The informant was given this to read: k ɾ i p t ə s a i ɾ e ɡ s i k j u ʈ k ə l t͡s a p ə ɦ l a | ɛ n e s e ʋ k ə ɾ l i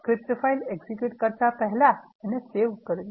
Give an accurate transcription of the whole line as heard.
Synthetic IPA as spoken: k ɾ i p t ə f a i l e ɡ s i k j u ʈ k ə ɾ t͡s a p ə ɦ l a | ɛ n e s e ʋ k ə ɾ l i

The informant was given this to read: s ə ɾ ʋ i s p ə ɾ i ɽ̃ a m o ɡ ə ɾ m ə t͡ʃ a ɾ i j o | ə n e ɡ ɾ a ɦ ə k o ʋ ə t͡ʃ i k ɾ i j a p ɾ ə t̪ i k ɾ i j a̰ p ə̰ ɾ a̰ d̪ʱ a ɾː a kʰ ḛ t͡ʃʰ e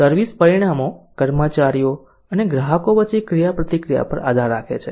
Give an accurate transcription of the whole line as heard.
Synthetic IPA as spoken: s ə ɾ ʋ i s p ə ɾ i ɽ̃ a m o k ə ɾ m ə t͡ʃ a ɾ i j o | ə n e ɡ ɾ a ɦ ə k o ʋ ə t͡ʃ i k ɾ i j a p ɾ ə t̪ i k ɾ i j a̰ p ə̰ ɾ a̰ d̪ʱ a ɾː a kʰ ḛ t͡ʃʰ e

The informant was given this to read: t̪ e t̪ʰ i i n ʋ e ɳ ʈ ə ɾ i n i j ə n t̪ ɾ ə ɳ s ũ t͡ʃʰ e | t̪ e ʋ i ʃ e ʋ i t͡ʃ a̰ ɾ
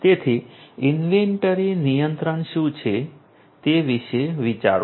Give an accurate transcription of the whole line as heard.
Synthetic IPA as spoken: t̪ e t̪ʰ i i n ʋ e ɳ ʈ ə ɾ i n i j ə n t̪ ɾ ə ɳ ʃ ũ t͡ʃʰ e | t̪ e ʋ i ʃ e ʋ i t͡ʃ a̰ ɾ

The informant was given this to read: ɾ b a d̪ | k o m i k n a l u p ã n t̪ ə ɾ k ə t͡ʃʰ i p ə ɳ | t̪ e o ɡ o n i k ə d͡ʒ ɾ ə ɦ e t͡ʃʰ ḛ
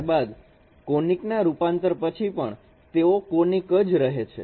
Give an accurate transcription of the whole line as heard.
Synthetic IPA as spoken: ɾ b a d̪ | k o n i k n a ɾ u p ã n t̪ ə ɾ p ə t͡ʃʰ i p ə ɳ | t̪ e o k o n i k ə d͡ʒ ɾ ə ɦ e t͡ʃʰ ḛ

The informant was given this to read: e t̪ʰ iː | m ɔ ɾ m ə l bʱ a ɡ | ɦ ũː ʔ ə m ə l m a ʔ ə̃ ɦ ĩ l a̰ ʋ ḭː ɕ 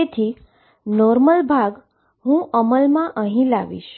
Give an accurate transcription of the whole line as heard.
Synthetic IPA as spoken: e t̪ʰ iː | n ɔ ɾ m ə l bʱ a ɡ | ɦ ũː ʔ ə m ə l m a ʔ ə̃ ɦ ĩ l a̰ ʋ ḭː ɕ

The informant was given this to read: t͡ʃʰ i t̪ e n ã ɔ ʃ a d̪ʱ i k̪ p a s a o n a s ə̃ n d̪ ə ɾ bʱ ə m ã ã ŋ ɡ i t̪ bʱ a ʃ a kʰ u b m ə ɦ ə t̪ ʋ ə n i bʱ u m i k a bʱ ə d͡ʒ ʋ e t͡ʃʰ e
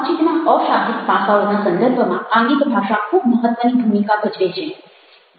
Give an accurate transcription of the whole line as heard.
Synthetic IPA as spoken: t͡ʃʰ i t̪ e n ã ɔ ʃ a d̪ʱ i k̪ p a s a o n a s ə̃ n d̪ ə ɾ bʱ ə m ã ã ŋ ɡ i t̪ bʱ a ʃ a kʰ u b m ə ɦ ə t̪ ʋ ə n i bʱ u m i k a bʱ ə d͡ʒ ʋ e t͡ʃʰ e

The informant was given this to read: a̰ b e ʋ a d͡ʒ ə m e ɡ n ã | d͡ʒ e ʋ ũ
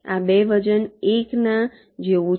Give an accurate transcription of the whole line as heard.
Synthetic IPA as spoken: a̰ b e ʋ ə d͡ʒ ə n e k n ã | d͡ʒ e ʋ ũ

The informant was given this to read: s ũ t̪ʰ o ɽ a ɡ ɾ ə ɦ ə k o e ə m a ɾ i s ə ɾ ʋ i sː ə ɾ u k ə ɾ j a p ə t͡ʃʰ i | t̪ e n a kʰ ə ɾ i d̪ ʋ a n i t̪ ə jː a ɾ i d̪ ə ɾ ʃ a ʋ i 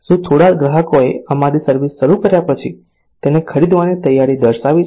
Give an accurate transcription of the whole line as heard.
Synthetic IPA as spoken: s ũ t̪ʰ o ɽ a ɡ ɾ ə ɦ ə k o e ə m a ɾ i s ə ɾ ʋ i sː ə ɾ u k ə ɾ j a p ə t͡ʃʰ i | t̪ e n e kʰ ə ɾ i d̪ ʋ a n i t̪ ə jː a ɾ i d̪ ə ɾ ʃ a ʋ i

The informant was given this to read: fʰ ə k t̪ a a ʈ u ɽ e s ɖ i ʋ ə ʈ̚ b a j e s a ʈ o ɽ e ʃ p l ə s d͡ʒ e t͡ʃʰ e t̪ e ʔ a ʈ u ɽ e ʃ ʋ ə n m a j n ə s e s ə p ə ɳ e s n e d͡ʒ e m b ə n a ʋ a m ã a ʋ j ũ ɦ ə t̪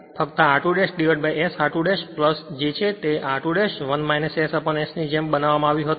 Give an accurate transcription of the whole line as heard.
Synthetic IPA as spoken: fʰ ə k t̪ a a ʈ u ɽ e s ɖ i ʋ ə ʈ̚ b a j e s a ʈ u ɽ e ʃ p l ə s d͡ʒ e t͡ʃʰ e t̪ e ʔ a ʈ u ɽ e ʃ ʋ ə n m a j n ə s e s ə p ə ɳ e s n i d͡ʒ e m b ə n a ʋ a m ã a ʋ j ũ ɦ ə t̪

